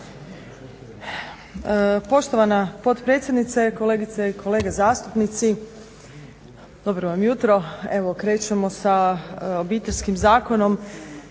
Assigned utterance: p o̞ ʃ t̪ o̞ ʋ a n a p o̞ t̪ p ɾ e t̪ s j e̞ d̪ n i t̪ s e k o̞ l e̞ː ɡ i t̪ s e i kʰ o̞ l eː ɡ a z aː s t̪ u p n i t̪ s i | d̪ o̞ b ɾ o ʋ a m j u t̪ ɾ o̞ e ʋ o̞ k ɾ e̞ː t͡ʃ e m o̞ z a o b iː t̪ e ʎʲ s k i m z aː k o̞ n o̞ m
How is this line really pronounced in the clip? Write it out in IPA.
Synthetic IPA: p o̞ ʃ t̪ o̞ ʋ a n a p o̞ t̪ p ɾ e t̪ s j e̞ d̪ n i t̪ s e k o̞ l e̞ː ɡ i t̪ s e i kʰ o̞ l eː ɡ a z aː s t̪ u p n i t̪ s i | d̪ o̞ b ɾ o ʋ a m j u t̪ ɾ o̞ e ʋ o̞ k ɾ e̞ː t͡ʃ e m o̞ s a o b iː t̪ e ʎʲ s k i m z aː k o̞ n o̞ m